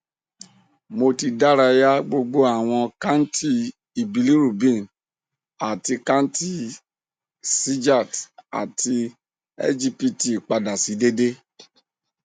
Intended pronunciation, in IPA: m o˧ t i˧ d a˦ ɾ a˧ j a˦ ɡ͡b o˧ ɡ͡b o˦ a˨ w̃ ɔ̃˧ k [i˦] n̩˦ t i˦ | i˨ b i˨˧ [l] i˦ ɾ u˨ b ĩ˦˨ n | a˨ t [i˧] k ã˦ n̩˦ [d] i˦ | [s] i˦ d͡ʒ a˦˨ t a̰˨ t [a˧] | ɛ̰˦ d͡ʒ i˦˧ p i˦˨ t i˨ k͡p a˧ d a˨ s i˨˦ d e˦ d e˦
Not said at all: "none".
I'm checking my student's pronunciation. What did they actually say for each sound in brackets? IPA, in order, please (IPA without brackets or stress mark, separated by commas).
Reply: a˦, l, i˧, t, s, i˧